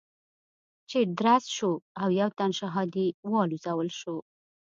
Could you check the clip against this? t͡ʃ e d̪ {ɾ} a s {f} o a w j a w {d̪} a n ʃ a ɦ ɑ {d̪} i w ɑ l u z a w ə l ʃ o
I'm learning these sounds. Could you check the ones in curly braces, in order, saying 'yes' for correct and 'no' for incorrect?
yes, no, no, yes

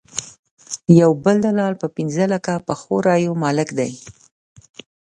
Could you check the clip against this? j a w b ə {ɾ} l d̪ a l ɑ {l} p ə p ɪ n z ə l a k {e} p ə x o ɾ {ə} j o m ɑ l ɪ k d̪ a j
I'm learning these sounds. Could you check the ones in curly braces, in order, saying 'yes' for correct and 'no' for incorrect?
no, yes, no, no

